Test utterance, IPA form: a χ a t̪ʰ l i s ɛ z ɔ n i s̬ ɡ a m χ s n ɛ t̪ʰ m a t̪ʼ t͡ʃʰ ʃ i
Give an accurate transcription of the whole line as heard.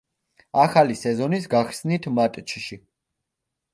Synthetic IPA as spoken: a χ a l i s ɛ z ɔ n i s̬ ɡ a χ s n i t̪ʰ m a t̪ʼ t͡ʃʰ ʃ i